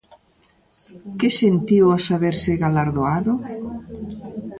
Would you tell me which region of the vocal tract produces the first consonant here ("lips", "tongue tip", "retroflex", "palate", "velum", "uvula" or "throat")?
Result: velum